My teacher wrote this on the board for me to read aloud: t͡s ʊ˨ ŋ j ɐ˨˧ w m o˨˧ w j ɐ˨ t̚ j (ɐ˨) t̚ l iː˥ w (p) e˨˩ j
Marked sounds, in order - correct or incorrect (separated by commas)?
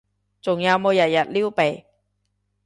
correct, correct